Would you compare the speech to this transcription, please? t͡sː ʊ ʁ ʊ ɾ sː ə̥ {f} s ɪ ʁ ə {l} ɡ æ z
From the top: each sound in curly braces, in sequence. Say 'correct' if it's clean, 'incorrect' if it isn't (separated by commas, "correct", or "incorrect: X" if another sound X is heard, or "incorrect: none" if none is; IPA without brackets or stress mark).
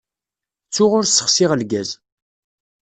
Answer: incorrect: χ, correct